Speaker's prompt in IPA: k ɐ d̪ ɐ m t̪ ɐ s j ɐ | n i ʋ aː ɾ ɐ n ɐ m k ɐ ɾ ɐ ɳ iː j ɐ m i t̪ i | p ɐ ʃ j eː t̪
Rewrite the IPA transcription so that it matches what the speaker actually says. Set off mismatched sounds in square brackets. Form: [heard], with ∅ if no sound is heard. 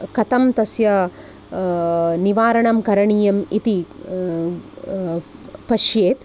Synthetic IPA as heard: k ɐ [t̪] ɐ m t̪ ɐ s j ɐ | n i ʋ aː ɾ ɐ [ɳ] ɐ m k ɐ ɾ ɐ ɳ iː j ɐ m i t̪ i | p ɐ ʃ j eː t̪